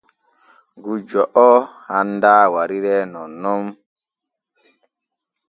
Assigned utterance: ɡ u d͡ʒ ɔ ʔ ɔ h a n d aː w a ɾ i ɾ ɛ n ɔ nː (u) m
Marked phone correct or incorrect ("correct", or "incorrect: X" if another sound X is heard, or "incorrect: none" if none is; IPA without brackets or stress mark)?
incorrect: ɔ